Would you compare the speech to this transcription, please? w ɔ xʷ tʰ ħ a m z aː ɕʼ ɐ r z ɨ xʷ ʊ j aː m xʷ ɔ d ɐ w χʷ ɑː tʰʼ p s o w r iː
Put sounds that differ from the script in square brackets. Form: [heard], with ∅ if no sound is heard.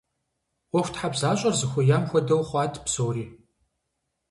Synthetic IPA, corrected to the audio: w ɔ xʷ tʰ ħ a [b] z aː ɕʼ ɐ r z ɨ xʷ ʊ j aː m xʷ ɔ d ɐ w χʷ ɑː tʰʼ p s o w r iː